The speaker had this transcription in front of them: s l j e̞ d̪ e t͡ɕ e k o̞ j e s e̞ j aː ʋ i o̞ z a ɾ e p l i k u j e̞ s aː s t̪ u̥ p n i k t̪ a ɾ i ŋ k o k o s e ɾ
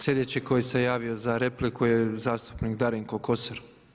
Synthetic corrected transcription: s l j e̞ d̪ e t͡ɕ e k o̞ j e s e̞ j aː ʋ i o̞ z a ɾ e p l i k u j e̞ z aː s t̪ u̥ p n i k d̪ a ɾ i ŋ k o k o s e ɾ